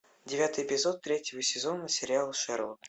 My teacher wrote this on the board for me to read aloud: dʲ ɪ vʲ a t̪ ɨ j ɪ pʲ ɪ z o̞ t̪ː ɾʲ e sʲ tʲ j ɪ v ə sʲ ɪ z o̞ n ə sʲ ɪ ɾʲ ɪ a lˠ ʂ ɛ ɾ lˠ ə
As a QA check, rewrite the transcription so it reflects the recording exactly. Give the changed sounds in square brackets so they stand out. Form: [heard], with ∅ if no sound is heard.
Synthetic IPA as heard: dʲ ɪ vʲ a t̪ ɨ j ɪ pʲ ɪ z o̞ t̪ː ɾʲ e [∅] tʲ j ɪ v ə sʲ ɪ z o̞ n ə sʲ ɪ ɾʲ ɪ a lˠ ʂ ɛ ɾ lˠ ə